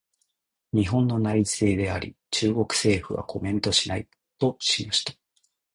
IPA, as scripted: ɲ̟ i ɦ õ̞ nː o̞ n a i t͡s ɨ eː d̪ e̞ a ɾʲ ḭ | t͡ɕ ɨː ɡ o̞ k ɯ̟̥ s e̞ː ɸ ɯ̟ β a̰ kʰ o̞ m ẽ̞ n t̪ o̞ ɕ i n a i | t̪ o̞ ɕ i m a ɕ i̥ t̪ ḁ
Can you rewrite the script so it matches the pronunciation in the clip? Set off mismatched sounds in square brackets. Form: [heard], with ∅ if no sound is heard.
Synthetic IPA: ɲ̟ i ɦ õ̞ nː o̞ n a i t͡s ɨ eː d̪ e̞ a ɾʲ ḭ | t͡ɕ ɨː ɡ o̞ k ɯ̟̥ s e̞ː ɸ ɯ̟ β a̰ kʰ o̞ m ẽ̞ n t̪ o̞ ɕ i n a i | t̪ o̞ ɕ i m a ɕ i̥ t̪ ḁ